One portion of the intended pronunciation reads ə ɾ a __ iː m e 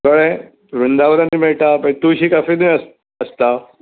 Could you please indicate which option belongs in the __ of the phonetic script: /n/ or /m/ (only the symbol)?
n